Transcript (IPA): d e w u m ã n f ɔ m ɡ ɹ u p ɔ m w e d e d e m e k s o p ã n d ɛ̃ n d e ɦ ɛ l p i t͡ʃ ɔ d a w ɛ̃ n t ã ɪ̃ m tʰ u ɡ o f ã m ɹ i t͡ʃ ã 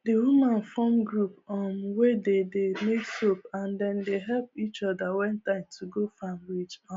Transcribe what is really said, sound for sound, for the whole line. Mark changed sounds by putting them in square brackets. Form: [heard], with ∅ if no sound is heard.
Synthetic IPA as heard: d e w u m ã n f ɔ m ɡ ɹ u p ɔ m w e d e d e m e k s o p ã n d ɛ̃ n d e ɦ ɛ l p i t͡ʃ ɔ d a w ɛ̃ n t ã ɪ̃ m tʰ u ɡ o f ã m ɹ i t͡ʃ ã